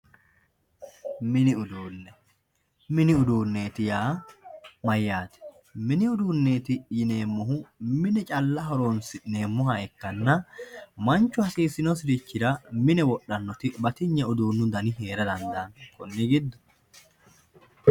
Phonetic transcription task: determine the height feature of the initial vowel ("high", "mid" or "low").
high